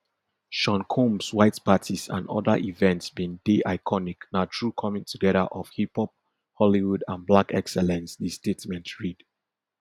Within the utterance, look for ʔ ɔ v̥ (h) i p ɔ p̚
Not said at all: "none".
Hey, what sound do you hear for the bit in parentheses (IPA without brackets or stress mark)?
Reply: h